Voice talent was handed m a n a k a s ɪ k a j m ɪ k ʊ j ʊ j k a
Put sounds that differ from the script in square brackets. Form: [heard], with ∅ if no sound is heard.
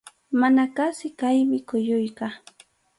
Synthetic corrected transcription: m a n a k a s ɪ k a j m ɪ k ʊ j ʊ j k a